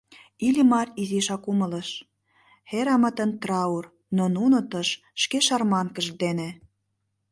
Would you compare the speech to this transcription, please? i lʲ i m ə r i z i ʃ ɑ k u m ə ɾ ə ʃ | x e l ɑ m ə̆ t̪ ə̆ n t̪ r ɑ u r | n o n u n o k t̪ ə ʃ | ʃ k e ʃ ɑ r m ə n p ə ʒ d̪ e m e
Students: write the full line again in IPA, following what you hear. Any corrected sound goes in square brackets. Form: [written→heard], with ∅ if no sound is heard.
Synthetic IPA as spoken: i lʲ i m [ə→ɑ] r i z i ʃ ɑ k u m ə [ɾ→l] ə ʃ | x e [l→ɾ] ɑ m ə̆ t̪ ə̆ n t̪ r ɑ u r | n o n u n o [k→∅] t̪ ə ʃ | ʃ k e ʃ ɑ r m [ə→ɑ] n [p→k] ə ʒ d̪ e [m→n] e